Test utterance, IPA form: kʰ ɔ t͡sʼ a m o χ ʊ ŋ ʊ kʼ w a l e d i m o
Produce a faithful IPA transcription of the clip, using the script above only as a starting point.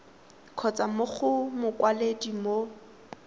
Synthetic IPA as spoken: kʰ ɔ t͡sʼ a m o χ ʊ m ʊ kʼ w a l e d i m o